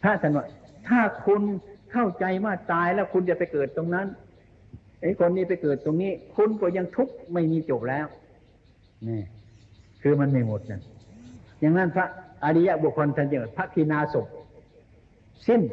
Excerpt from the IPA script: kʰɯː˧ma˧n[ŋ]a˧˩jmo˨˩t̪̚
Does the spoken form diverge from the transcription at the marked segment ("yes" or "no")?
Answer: yes